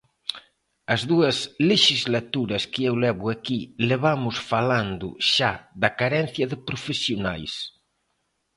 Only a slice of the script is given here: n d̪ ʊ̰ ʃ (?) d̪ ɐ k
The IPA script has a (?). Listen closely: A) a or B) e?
A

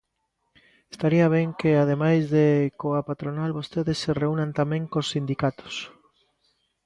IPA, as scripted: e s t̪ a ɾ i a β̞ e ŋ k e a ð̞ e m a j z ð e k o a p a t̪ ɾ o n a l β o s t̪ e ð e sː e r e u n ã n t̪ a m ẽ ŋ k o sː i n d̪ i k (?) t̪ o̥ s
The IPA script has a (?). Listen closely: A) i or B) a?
B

